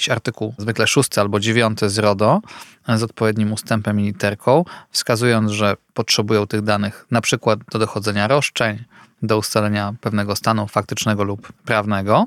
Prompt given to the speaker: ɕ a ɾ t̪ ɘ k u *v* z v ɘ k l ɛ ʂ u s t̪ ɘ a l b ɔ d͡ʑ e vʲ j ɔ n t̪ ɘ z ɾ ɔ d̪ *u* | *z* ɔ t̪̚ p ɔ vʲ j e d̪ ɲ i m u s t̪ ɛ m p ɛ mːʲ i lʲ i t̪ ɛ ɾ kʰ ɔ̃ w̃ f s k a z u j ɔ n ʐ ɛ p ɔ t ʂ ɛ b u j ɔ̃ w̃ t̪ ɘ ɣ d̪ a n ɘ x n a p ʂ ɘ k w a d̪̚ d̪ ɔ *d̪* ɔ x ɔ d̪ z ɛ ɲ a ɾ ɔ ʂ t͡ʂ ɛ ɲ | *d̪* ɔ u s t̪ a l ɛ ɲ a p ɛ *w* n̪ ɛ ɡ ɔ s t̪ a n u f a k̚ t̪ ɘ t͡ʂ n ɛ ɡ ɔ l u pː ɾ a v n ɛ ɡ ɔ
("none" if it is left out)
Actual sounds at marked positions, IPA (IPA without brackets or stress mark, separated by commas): w, ɔ, z, d̪, d̪, v